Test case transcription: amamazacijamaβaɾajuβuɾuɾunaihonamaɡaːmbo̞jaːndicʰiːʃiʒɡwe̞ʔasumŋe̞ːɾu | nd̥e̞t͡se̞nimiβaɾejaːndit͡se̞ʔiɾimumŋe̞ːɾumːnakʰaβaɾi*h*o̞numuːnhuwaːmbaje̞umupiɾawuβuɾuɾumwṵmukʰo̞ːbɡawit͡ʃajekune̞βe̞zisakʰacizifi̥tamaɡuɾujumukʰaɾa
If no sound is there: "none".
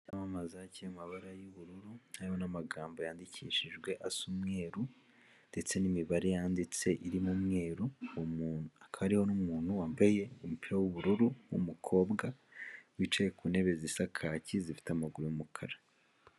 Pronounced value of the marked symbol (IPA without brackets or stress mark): h